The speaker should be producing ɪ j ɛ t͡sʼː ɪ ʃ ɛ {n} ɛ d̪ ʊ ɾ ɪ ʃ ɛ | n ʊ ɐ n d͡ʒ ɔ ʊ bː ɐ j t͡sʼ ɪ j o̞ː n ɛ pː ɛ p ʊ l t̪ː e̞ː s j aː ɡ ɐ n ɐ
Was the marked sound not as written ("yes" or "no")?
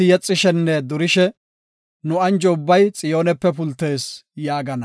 yes